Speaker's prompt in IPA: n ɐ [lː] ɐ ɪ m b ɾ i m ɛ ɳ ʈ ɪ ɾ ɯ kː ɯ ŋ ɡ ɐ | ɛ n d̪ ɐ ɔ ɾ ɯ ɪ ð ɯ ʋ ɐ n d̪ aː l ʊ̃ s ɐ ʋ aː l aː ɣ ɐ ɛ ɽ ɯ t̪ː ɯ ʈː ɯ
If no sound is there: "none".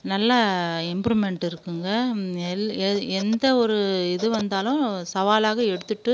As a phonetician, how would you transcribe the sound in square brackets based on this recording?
lː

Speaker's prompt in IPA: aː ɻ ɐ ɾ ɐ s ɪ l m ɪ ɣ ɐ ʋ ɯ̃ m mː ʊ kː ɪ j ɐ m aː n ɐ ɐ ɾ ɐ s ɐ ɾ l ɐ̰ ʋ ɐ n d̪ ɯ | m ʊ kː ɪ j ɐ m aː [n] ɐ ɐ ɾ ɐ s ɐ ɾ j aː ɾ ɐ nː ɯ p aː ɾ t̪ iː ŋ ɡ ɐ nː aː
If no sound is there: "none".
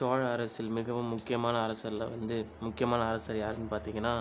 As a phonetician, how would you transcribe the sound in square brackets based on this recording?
n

